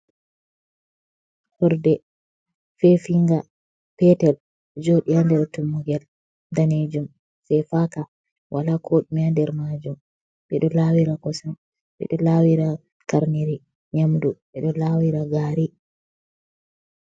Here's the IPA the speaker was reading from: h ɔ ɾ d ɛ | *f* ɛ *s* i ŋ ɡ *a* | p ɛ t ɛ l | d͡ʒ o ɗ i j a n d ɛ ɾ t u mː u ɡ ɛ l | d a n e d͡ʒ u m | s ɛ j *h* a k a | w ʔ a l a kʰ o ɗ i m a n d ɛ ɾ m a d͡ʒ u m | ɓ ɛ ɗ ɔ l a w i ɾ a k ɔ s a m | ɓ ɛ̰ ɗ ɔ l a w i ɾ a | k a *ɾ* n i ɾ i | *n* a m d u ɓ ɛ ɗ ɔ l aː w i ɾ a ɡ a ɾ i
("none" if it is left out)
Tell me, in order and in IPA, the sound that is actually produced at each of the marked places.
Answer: f, f, a, f, ɾ, ɲ

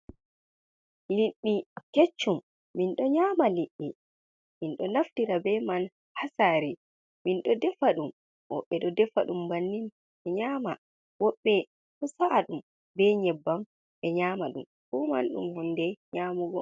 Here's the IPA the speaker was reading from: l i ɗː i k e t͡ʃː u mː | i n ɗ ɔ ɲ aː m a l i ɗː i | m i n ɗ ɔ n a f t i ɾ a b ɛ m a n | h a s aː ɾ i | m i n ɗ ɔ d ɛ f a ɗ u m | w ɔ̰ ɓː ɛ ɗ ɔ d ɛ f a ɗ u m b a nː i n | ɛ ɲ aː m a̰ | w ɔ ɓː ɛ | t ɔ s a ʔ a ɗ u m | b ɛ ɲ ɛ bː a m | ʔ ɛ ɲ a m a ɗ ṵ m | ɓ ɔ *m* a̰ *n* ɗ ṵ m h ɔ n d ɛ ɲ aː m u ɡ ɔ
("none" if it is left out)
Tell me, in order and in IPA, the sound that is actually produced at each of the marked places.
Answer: m, n

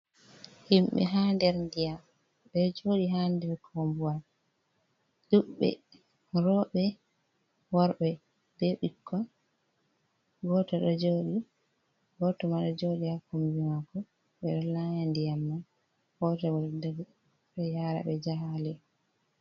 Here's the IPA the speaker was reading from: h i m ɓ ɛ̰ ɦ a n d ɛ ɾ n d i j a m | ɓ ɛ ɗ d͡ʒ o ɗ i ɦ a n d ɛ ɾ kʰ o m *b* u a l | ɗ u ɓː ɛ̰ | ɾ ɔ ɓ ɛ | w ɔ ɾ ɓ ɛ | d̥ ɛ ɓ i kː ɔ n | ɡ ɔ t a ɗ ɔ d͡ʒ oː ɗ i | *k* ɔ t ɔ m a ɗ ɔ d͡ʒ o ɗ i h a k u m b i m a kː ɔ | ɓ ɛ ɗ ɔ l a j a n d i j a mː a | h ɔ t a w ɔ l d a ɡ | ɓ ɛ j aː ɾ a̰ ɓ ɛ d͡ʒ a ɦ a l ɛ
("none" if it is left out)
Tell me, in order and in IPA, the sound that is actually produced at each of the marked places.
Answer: b, ɡ

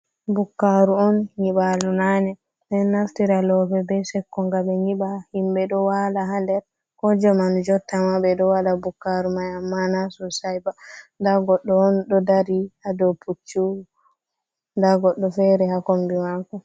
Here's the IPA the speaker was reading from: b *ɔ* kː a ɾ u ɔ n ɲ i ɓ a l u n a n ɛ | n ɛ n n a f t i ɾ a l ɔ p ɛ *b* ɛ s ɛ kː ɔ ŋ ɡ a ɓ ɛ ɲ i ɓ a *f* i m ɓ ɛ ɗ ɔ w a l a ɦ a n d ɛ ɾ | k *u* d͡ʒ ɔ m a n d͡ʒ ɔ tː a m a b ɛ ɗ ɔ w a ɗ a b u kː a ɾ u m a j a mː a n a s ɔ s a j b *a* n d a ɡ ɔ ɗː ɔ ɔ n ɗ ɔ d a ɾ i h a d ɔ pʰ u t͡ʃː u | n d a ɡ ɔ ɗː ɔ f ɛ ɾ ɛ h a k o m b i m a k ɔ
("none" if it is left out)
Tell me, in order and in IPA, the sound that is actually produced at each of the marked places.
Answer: u, b, h, ɔ, a

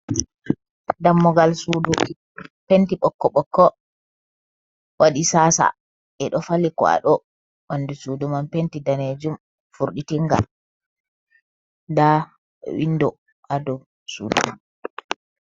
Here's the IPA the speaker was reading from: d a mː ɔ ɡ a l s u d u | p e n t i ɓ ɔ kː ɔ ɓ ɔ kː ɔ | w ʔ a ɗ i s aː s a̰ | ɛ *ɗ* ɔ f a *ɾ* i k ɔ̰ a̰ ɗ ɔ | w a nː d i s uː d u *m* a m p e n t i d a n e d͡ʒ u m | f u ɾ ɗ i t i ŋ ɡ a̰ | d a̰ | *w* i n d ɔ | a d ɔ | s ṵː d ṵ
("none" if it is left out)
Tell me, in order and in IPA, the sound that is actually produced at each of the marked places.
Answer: ɗ, l, m, w

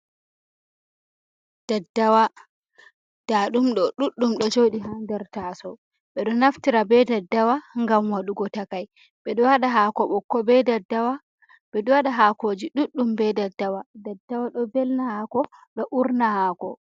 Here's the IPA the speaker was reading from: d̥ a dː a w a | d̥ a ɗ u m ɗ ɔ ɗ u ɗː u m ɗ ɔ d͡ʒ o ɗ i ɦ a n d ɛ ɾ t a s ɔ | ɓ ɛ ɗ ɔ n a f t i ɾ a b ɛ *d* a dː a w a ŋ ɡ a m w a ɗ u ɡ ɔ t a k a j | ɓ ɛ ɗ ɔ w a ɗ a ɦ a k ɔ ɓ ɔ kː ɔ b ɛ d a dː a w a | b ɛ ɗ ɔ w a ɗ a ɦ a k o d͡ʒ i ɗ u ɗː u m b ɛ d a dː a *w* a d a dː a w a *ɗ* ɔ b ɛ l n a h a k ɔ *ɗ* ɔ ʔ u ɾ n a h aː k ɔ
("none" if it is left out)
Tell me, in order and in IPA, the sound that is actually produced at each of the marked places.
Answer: d, w, ɗ, ɗ

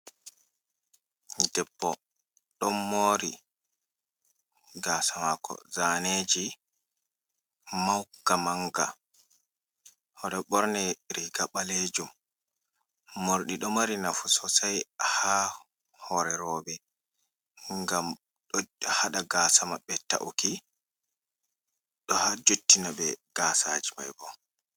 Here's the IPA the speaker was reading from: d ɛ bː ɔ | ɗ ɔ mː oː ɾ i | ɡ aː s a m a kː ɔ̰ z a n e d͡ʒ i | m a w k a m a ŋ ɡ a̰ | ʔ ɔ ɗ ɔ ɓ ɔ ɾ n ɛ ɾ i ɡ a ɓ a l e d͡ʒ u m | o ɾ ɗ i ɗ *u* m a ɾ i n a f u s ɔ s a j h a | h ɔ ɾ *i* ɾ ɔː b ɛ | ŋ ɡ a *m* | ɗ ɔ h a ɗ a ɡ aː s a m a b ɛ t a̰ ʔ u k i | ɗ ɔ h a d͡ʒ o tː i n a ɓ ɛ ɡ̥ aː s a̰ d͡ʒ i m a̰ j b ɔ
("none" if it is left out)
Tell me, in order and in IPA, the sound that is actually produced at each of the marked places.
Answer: ɔ, ɛ, m

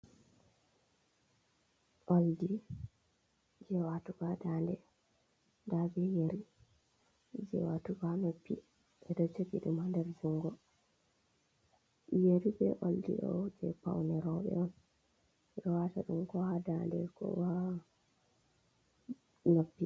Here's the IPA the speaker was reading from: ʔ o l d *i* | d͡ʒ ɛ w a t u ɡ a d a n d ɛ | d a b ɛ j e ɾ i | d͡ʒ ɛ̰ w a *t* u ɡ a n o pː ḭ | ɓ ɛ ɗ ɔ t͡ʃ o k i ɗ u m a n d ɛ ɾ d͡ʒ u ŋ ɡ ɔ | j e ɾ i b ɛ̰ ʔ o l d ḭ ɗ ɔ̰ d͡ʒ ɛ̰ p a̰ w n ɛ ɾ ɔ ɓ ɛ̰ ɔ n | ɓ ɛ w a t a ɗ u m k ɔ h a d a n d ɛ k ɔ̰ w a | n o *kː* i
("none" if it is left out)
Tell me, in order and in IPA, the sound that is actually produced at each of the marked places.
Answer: i, t, pː

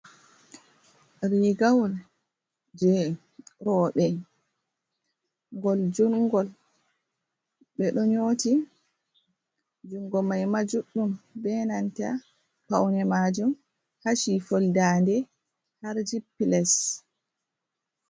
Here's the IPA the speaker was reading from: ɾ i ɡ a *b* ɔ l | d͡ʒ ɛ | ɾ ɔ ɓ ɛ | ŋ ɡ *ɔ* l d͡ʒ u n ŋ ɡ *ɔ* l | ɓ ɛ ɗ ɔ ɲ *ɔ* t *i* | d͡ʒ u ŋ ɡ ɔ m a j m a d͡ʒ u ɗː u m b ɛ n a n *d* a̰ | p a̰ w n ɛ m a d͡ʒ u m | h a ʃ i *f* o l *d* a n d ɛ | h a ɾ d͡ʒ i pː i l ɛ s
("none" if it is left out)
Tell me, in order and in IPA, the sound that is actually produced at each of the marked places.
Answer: w, ɔ, ɔ, o, i, t, f, d

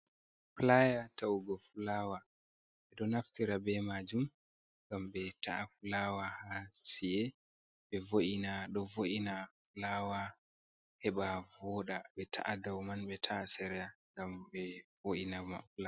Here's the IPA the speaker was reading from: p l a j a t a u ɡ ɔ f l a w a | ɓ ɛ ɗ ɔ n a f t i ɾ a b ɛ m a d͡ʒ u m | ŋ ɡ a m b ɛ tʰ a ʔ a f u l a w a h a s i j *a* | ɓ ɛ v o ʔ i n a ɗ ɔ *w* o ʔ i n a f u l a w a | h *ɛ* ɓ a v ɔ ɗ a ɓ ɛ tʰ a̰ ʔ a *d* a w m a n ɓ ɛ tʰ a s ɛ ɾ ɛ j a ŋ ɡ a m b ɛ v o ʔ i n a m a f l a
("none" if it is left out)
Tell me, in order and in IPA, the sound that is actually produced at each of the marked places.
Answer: ɛ, v, ɛ, d

